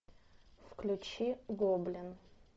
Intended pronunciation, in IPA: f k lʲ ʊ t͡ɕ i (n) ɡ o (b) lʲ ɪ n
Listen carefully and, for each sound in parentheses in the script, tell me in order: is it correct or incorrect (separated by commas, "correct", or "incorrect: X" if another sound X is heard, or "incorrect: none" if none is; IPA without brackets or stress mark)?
incorrect: none, correct